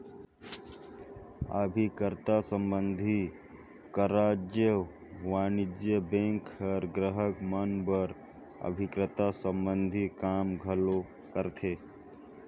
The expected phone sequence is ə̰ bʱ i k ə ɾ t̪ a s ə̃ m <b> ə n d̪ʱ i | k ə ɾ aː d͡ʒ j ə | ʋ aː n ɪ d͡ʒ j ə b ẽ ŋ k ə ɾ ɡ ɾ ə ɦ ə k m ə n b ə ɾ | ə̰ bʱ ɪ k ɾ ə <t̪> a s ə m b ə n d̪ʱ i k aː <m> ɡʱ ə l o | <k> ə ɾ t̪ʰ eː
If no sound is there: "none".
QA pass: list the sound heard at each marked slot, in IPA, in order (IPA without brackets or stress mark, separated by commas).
b, t̪, m, k